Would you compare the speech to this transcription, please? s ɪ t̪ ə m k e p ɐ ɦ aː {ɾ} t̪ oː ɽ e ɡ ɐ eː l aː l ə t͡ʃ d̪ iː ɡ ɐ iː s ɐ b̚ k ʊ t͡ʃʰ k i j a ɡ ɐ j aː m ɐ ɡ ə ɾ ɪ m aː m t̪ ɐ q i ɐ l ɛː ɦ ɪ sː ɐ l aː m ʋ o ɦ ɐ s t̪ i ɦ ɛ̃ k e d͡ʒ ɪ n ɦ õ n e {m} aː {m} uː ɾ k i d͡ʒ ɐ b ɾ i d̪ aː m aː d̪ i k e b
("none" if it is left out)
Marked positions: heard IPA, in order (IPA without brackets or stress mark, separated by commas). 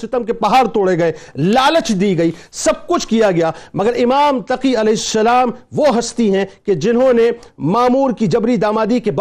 ɾ, m, m